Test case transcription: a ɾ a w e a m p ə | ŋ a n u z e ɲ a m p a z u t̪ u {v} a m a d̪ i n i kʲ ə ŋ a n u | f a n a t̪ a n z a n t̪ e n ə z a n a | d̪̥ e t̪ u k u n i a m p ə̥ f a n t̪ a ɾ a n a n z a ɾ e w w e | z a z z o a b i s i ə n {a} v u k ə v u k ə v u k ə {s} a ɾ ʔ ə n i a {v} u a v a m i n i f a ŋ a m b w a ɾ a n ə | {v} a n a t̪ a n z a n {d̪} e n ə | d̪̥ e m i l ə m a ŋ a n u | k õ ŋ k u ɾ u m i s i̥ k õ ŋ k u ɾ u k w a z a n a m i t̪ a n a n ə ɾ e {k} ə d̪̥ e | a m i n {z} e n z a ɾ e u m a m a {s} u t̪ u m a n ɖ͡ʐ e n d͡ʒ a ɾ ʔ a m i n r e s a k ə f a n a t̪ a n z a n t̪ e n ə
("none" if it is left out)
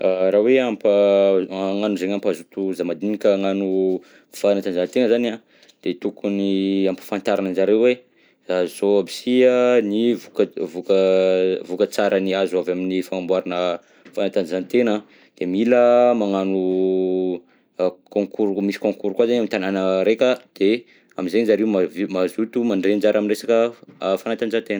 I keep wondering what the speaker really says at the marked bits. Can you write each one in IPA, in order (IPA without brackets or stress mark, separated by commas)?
z, i, t͡s, z, f, t̪, k, z, z